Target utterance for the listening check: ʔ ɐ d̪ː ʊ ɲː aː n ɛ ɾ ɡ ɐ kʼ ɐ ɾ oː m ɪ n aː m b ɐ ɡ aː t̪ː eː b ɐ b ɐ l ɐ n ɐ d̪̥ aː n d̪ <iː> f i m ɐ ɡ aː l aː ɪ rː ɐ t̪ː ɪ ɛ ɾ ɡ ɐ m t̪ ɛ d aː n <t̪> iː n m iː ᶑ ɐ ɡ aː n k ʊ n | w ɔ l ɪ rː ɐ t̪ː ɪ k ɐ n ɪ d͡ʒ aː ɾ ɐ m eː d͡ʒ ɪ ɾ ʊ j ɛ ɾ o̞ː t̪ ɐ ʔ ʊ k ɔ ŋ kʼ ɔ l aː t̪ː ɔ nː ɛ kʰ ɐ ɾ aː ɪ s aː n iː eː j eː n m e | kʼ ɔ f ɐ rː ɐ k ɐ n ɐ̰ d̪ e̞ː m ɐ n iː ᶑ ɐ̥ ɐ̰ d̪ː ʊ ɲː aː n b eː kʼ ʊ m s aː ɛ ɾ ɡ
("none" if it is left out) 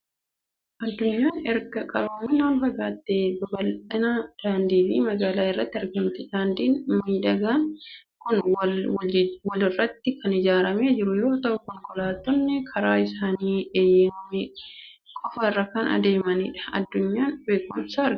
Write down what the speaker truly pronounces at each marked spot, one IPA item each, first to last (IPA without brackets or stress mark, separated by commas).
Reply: iː, d̪